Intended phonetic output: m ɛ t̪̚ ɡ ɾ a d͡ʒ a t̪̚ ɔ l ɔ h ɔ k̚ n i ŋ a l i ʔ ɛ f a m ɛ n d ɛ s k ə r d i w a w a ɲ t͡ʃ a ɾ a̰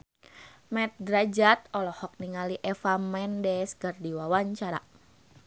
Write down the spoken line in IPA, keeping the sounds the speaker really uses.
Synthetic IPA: m ɛ t̪̚ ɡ ɾ a d͡ʒ a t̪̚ ɔ l ɔ h ɔ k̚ n i ŋ a l i ʔ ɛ f a m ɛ n d ɛ s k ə r d i w a w a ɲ t͡ʃ a ɾ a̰